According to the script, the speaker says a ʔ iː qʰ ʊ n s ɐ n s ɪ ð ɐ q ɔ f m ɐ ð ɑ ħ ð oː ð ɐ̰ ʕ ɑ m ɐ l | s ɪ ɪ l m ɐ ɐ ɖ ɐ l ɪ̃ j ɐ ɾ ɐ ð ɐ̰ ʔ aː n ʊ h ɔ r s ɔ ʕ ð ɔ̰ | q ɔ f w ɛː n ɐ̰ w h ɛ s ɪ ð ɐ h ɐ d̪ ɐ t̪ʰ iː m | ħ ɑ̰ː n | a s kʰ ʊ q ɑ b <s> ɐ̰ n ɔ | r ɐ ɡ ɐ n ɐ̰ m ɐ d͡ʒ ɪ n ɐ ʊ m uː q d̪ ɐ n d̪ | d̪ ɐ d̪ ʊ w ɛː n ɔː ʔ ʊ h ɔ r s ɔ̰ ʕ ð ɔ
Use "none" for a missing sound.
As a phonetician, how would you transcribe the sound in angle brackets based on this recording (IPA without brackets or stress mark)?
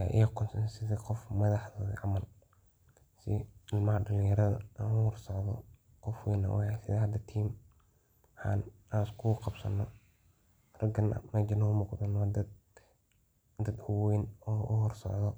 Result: s